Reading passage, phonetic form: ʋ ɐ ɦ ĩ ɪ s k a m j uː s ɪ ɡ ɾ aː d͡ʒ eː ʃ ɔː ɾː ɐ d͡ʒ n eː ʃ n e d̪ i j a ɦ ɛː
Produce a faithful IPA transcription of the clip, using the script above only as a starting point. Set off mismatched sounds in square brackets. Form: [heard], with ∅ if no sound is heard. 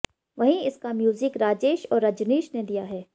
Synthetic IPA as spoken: ʋ ɐ ɦ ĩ ɪ s k a m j uː [z] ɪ [k] ɾ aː d͡ʒ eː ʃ ɔː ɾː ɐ d͡ʒ n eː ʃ n e d̪ i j a ɦ ɛː